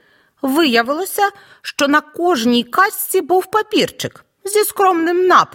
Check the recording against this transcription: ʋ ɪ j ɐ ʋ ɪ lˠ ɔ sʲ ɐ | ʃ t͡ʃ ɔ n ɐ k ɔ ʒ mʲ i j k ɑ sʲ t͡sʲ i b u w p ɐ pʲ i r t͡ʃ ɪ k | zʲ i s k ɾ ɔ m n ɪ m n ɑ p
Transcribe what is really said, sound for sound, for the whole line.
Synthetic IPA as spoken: ʋ ɪ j ɐ ʋ ɪ lˠ ɔ sʲ ɐ | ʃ t͡ʃ ɔ n ɐ k ɔ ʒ nʲ i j k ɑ sʲ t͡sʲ i b u w p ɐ pʲ i r t͡ʃ ɪ k | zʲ i s k ɾ ɔ m n ɪ m n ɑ p